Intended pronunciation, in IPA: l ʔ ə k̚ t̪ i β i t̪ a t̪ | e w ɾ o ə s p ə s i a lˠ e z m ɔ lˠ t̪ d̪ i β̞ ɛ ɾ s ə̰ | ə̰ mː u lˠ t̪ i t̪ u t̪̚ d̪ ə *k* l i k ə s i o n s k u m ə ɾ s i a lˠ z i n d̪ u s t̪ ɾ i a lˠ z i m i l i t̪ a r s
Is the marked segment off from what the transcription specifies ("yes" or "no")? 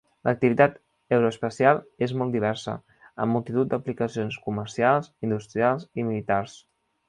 yes